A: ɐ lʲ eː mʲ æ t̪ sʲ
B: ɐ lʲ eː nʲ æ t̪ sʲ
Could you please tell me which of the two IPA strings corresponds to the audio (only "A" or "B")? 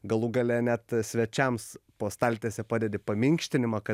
B